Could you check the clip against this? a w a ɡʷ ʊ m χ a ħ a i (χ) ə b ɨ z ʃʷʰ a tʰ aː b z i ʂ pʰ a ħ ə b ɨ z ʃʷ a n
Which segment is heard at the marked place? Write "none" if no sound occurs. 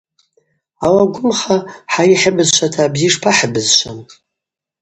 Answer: ħ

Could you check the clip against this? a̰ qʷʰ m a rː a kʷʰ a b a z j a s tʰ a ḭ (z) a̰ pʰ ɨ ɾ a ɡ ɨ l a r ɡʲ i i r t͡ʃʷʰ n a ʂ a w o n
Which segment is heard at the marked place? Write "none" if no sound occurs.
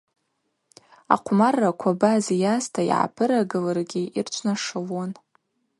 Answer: ʕ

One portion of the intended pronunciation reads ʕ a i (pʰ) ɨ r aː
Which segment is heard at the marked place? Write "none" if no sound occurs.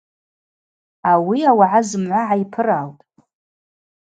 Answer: pʰ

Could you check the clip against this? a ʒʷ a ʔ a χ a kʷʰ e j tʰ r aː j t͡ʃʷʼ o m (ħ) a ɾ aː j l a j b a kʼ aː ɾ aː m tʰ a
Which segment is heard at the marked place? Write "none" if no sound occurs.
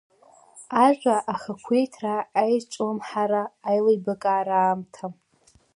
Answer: ħ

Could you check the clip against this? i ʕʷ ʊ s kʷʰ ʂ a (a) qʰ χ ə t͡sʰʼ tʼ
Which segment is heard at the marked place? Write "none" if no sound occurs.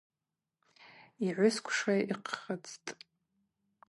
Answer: i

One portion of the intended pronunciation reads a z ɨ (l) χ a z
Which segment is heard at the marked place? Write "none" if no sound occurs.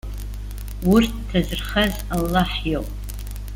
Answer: r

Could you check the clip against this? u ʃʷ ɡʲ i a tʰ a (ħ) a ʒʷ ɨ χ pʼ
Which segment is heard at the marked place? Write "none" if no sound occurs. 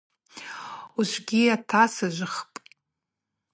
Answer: s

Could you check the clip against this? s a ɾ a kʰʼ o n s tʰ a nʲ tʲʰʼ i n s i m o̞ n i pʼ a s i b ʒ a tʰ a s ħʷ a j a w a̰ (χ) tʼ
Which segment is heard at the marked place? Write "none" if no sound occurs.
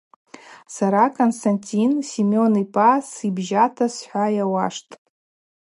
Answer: ʂ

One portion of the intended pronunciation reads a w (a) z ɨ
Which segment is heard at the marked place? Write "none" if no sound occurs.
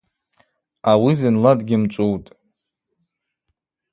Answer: i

